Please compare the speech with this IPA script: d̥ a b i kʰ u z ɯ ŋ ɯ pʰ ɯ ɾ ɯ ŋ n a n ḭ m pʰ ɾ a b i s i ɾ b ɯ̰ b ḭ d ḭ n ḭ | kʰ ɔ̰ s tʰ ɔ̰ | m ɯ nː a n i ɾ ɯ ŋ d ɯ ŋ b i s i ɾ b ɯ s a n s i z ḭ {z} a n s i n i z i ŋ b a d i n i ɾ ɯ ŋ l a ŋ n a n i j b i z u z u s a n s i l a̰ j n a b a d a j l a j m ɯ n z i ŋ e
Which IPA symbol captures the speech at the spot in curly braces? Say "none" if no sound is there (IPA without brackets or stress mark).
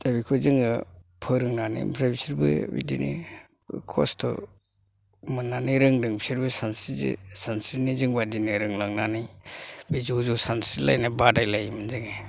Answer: s